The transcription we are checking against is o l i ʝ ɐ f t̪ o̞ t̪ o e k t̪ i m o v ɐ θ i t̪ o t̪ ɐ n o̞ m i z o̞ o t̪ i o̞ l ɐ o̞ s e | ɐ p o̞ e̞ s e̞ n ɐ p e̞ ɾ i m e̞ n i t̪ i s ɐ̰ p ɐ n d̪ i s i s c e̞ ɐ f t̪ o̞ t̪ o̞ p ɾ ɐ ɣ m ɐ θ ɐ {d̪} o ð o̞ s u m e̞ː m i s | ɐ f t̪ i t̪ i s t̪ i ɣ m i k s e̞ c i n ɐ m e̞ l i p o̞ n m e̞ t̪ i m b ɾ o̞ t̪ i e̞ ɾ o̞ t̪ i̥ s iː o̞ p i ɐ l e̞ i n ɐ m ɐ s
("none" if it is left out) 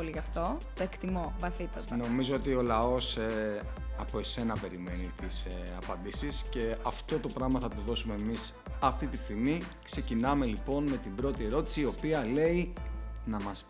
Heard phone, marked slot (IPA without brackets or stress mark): t̪